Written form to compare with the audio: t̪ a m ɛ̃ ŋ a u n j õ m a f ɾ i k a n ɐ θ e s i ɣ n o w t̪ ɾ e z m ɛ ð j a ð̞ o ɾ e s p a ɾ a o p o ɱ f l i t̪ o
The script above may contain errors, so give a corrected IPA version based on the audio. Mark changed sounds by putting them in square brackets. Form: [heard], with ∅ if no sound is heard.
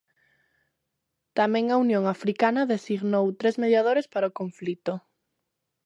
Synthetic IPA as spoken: t̪ a m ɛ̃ ŋ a u n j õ [ŋ] a f ɾ i k a n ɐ [ð] e s i ɣ n o w t̪ ɾ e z m [e] ð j a ð̞ o ɾ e s p a ɾ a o [k] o ɱ f l i t̪ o